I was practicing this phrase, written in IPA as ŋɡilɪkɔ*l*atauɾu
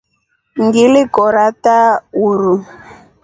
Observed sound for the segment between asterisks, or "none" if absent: ɾ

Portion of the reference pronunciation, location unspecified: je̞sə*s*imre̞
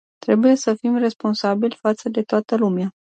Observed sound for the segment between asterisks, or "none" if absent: f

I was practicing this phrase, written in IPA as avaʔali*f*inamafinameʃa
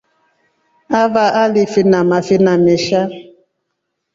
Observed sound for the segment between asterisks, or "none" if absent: f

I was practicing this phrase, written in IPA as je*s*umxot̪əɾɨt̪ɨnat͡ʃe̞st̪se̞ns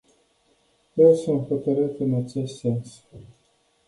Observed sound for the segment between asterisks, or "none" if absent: s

